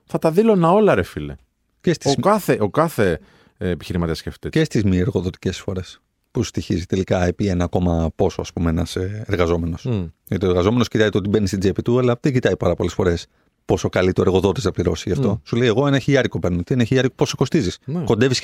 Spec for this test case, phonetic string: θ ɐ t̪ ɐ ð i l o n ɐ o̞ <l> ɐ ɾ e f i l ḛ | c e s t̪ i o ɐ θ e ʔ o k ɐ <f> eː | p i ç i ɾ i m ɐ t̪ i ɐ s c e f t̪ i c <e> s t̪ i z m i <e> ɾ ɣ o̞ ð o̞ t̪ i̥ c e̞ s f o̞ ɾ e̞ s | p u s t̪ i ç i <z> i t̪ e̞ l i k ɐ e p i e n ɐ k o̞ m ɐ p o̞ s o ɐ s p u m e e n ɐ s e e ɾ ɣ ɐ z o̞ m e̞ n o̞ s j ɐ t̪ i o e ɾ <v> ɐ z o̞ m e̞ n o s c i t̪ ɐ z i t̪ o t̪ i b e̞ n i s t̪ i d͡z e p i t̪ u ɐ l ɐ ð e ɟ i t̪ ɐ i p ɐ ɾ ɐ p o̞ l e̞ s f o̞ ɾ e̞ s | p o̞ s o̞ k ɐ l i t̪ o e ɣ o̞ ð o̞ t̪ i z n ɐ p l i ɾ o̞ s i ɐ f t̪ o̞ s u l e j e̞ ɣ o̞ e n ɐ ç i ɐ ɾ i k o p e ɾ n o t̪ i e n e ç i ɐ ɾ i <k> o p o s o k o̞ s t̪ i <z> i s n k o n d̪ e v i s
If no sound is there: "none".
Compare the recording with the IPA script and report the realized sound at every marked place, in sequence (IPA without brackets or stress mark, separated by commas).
l, θ, e, e, z, ɣ, k, z